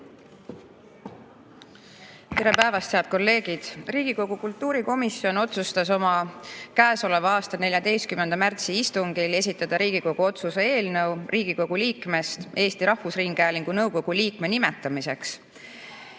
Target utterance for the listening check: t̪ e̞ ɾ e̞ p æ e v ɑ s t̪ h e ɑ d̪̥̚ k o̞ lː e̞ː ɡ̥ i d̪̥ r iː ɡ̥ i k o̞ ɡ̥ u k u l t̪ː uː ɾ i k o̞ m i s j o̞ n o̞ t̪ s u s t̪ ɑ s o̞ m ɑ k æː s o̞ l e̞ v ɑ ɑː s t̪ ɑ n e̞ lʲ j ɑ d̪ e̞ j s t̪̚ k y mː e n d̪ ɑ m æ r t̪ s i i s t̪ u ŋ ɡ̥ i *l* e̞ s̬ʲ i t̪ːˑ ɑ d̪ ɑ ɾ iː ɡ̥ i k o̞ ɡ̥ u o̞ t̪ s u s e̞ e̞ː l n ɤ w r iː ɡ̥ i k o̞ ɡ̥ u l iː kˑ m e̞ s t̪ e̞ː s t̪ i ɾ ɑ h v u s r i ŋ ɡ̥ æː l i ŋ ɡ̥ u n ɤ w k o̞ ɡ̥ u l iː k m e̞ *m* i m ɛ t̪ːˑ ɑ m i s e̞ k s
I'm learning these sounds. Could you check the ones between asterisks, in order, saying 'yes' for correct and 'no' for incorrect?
yes, no

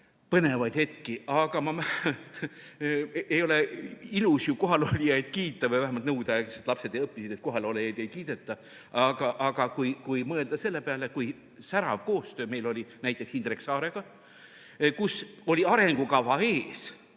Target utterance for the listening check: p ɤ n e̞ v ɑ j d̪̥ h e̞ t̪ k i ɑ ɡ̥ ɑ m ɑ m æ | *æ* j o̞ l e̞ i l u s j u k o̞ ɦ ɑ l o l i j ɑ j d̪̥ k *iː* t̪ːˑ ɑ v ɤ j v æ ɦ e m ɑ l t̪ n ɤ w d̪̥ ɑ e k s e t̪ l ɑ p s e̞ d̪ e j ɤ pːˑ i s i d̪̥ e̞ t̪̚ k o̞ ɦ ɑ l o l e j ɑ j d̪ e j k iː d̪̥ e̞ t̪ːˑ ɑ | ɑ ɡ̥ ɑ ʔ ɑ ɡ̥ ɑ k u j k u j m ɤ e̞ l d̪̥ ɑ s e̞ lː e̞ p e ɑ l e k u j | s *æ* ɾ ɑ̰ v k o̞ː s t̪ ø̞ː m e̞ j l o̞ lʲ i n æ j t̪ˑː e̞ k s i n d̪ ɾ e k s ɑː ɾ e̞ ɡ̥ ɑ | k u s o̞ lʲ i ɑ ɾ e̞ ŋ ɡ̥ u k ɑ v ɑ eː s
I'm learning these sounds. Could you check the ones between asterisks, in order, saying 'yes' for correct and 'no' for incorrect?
no, yes, yes

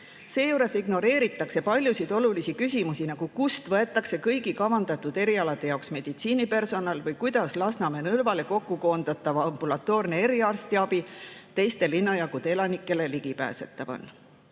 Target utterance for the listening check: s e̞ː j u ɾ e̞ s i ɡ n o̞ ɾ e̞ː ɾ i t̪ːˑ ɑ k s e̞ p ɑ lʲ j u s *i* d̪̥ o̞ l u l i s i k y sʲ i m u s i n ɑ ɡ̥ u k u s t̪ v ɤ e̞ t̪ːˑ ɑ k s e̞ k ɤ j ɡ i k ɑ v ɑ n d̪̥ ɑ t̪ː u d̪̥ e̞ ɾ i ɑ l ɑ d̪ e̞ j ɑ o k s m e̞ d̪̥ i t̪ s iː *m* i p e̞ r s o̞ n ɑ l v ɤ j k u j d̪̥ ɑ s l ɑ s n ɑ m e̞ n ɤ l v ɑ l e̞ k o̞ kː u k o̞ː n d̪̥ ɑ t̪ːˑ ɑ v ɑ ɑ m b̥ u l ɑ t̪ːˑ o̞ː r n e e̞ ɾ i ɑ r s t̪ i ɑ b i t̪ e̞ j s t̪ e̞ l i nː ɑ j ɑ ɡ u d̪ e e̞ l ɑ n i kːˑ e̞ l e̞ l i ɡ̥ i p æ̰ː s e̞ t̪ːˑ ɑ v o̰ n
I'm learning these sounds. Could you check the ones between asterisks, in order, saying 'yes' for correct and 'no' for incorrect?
yes, no

